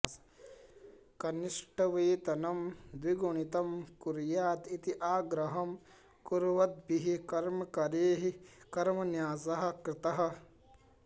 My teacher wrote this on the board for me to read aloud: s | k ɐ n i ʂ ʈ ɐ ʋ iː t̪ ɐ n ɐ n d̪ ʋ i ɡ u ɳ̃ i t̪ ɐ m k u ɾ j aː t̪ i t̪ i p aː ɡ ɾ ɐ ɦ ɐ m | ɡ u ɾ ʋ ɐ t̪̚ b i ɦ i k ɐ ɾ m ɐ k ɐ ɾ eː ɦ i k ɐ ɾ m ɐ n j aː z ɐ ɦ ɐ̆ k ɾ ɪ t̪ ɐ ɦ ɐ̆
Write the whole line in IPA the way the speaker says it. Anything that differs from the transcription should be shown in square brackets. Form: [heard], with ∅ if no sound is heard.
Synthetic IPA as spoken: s | k ɐ n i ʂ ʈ ɐ ʋ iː t̪ ɐ n ɐ [m] d̪ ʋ i ɡ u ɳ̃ i t̪ ɐ m k u ɾ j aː t̪ i t̪ i [ʔ] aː ɡ ɾ ɐ ɦ ɐ m | [k] u ɾ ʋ ɐ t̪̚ b i ɦ i k ɐ ɾ m ɐ k ɐ ɾ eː ɦ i k ɐ ɾ m ɐ n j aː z ɐ ɦ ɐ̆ k ɾ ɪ t̪ ɐ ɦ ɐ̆

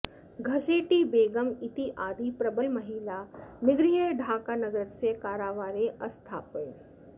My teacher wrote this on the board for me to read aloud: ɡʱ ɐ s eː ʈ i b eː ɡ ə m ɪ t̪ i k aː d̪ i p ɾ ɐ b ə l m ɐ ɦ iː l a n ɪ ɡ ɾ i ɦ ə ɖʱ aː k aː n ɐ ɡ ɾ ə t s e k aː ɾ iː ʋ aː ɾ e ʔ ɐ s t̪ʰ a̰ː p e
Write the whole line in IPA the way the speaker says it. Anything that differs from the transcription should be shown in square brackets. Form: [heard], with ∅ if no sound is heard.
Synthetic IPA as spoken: ɡʱ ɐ s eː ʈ i b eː ɡ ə m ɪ t̪ i [ʔ] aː d̪ i p ɾ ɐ b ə l m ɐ ɦ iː l a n ɪ ɡ ɾ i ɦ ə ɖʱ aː k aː n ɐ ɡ ɾ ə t s e k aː ɾ [aː] ʋ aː ɾ e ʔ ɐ s t̪ʰ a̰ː p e

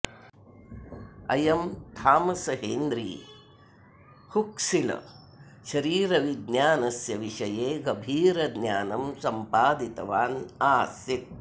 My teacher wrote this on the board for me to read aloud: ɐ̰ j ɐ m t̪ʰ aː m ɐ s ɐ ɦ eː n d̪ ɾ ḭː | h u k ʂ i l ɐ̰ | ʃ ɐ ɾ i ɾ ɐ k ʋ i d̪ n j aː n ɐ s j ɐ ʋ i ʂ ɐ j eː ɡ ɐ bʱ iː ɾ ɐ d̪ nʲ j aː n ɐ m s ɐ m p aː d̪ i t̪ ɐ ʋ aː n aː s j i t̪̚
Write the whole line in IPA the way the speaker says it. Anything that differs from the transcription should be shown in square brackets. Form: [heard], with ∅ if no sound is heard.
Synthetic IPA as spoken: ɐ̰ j ɐ m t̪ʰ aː m ɐ s ɐ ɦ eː n d̪ ɾ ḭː | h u k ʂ i l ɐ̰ | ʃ ɐ ɾ [iː] ɾ ɐ [∅] ʋ i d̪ n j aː n ɐ s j ɐ ʋ i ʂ ɐ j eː ɡ ɐ bʱ iː ɾ ɐ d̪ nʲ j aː n ɐ m s ɐ m p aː d̪ i t̪ ɐ ʋ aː n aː s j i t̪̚

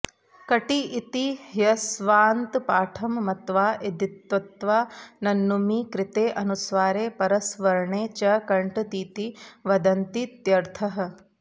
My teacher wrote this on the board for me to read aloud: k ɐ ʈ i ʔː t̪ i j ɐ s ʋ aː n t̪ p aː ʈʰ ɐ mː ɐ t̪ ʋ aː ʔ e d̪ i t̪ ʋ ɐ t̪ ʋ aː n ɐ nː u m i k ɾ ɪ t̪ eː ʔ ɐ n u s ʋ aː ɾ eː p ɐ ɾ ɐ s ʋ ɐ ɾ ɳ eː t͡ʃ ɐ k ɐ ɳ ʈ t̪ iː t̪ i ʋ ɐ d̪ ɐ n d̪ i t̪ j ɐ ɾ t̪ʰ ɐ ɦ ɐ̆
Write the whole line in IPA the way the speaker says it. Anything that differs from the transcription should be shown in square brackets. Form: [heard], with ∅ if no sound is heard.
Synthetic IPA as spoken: k ɐ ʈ i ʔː t̪ i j ɐ s ʋ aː n t̪ p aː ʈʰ ɐ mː ɐ t̪ ʋ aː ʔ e d̪ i t̪ ʋ ɐ t̪ ʋ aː n ɐ nː u m i k ɾ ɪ t̪ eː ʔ ɐ n u s ʋ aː ɾ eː p ɐ ɾ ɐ s ʋ ɐ ɾ ɳ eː t͡ʃ ɐ k ɐ ɳ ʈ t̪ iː t̪ i ʋ ɐ d̪ ɐ n [t̪] i t̪ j ɐ ɾ t̪ʰ ɐ ɦ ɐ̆

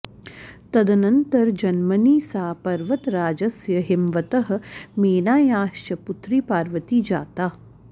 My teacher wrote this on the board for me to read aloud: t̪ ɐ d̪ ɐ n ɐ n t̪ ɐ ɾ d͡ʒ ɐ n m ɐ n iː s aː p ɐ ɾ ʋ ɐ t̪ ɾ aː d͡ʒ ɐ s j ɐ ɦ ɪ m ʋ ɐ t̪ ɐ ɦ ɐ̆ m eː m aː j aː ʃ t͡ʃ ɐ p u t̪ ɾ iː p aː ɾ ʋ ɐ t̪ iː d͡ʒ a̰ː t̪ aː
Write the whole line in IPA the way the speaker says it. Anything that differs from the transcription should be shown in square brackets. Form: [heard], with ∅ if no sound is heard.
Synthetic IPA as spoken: t̪ ɐ d̪ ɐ n ɐ n t̪ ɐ ɾ d͡ʒ ɐ n m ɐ n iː s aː p ɐ ɾ ʋ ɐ t̪ ɾ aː d͡ʒ ɐ s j ɐ ɦ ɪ m ʋ ɐ t̪ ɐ ɦ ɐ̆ m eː [n] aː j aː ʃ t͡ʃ ɐ p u t̪ ɾ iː p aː ɾ ʋ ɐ t̪ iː d͡ʒ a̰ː t̪ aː

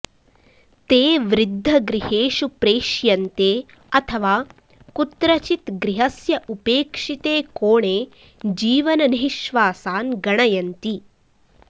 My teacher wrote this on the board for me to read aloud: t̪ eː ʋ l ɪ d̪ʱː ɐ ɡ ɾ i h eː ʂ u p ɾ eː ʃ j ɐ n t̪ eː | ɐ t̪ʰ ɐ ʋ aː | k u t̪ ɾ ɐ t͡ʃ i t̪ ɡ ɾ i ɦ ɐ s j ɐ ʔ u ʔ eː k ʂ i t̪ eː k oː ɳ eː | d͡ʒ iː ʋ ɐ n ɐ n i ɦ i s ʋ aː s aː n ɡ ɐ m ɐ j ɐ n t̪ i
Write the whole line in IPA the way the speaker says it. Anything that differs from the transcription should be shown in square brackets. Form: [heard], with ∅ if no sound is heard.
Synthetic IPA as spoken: t̪ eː ʋ [ɾ] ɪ d̪ʱː ɐ ɡ ɾ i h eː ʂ u p ɾ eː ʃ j ɐ n t̪ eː | ɐ t̪ʰ ɐ ʋ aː | k u t̪ ɾ ɐ t͡ʃ i t̪ ɡ ɾ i ɦ ɐ s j ɐ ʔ u [p] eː k ʂ i t̪ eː k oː ɳ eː | d͡ʒ iː ʋ ɐ n ɐ n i ɦ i [ʃ] ʋ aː s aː n ɡ ɐ [ɳ] ɐ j ɐ n t̪ i

